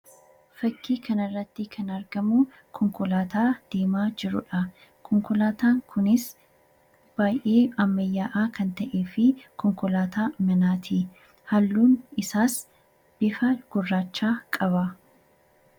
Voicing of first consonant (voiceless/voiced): voiceless